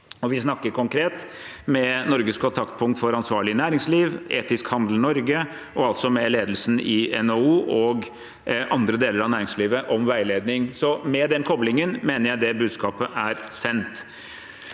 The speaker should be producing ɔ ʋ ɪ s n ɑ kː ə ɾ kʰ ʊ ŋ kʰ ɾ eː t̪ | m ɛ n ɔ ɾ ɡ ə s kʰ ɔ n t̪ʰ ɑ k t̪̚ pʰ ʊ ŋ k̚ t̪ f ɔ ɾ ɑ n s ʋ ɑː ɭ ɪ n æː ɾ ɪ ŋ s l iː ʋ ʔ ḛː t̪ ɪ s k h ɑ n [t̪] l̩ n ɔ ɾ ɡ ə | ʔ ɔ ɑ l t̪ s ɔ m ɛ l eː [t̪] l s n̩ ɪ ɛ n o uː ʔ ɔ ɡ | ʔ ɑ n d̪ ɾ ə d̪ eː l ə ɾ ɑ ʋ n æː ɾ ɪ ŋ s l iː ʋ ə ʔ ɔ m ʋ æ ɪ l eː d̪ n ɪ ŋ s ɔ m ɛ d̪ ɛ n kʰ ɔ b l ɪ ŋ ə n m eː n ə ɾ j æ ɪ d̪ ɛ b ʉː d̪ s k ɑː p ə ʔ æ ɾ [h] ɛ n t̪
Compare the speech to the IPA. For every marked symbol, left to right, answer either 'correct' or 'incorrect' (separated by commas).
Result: incorrect, incorrect, incorrect